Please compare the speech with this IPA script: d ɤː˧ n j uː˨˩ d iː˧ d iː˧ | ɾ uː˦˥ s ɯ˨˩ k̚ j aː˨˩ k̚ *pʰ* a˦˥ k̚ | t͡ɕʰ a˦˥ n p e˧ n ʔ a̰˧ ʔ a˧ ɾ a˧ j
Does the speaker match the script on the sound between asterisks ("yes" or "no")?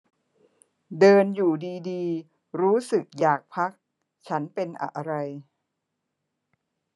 yes